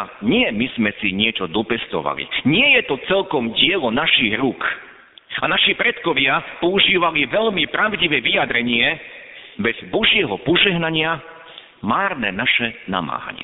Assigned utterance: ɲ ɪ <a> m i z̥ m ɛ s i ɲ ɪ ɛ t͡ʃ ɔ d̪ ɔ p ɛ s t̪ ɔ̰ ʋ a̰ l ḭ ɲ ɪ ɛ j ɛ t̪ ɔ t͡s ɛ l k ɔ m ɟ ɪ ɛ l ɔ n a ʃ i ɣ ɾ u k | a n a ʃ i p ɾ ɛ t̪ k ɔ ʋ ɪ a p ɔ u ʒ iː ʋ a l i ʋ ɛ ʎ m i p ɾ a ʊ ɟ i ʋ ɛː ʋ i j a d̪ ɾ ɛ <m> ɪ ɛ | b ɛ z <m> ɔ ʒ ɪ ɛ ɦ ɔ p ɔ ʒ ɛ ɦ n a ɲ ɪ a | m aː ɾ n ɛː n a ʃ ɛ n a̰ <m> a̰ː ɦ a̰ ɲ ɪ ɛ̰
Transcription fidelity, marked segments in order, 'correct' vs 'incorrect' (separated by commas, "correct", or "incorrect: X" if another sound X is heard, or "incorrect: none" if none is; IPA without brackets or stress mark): incorrect: ɛ, incorrect: ɲ, incorrect: b, correct